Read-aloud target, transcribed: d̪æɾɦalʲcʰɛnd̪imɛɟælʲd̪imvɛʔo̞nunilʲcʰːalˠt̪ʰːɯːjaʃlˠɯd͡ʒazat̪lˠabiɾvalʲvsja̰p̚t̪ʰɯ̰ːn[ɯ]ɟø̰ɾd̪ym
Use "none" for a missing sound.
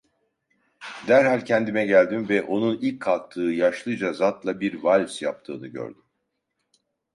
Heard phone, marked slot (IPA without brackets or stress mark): ɯ